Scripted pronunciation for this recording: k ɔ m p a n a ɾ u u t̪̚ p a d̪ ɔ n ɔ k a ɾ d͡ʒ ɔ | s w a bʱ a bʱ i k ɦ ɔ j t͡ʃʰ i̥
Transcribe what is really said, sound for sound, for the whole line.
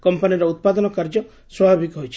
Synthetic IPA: k ɔ m p a n i ɾ ɔ u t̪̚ p a d̪ ɔ n ɔ k a ɾ d͡ʒ ɔ | s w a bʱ a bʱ i k ɦ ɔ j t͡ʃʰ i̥